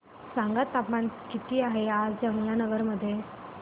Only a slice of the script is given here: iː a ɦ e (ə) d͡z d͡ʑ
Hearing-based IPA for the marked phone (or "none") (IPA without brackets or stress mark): a